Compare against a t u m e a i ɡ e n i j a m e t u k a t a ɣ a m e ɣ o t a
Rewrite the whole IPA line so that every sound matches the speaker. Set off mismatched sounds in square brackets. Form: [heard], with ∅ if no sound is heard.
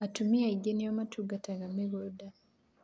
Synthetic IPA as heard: a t u m [i] a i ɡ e n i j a m [a] t u [ɡ] a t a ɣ a m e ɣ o [d] a